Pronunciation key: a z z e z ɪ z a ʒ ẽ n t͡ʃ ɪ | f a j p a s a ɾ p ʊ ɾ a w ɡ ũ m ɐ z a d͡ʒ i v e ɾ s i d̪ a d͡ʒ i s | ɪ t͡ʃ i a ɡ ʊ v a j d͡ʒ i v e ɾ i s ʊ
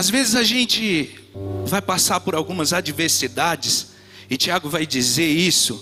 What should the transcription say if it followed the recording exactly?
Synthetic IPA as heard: a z v e z ɪ z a ʒ ẽ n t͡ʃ ɪ | v a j p a s a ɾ p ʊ ɾ a w ɡ ũ m ɐ z a d͡ʒ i v e ɾ s i d̪ a d͡ʒ ɪ s | ɪ t͡ʃ i a ɡ ʊ v a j d͡ʒ i z e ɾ i s ʊ